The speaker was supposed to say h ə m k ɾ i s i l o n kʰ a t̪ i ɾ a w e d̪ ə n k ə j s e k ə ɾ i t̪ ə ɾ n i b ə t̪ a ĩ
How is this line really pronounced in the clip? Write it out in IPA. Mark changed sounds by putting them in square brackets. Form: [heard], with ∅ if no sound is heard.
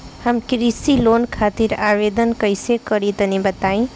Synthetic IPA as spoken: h ə m k ɾ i s i l o n kʰ a t̪ i ɾ a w e d̪ ə n k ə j s e k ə ɾ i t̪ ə [∅] n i b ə t̪ a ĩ